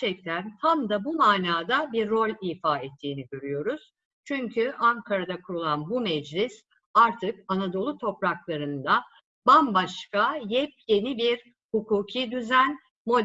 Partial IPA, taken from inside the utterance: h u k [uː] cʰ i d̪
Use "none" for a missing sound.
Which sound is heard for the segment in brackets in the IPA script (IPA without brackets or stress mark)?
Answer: uː